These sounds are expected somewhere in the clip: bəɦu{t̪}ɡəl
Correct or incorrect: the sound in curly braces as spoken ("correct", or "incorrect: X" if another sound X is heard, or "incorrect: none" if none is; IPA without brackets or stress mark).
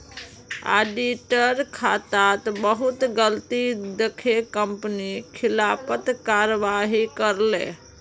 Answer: correct